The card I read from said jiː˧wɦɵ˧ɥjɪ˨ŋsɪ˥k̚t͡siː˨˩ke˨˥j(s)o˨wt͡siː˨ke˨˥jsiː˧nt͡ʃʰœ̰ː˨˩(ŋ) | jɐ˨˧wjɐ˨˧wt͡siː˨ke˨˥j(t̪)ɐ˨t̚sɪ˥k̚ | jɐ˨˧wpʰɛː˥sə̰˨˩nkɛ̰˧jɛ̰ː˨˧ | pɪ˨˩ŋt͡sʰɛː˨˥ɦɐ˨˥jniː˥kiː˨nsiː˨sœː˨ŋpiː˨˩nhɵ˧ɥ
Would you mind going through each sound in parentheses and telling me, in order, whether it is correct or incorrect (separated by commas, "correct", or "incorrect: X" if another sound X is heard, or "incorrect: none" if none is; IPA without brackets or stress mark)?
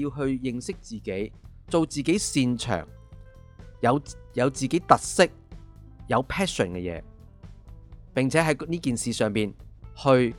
incorrect: t͡s, correct, correct